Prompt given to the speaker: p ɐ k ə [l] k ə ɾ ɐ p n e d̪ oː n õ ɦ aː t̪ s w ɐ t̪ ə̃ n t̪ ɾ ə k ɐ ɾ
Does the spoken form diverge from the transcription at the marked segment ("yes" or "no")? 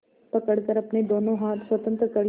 yes